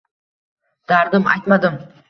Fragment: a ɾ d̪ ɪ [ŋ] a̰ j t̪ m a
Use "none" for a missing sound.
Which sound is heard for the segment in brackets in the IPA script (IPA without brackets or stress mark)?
m